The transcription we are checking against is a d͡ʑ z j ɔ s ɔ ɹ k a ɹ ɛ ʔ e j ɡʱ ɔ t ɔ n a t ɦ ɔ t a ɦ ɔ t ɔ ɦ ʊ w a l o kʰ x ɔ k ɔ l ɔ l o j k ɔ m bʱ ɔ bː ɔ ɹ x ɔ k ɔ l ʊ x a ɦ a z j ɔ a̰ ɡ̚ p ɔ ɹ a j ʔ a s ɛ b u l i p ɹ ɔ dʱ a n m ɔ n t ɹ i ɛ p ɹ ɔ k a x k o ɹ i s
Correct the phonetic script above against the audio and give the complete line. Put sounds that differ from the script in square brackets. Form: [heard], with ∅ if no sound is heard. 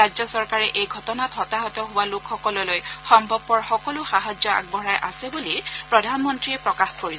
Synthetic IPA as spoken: a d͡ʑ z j ɔ s ɔ ɹ k a ɹ ɛ ʔ e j ɡʱ ɔ t ɔ n a t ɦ ɔ t a ɦ ɔ t ɔ ɦ ʊ w a l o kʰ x ɔ k ɔ l ɔ l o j [x] ɔ m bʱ ɔ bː ɔ ɹ x ɔ k ɔ l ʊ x a ɦ a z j ɔ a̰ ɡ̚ [b] ɔ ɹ a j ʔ a s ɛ b u l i p ɹ ɔ dʱ a n m ɔ n t ɹ i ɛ p ɹ ɔ k a x k o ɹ i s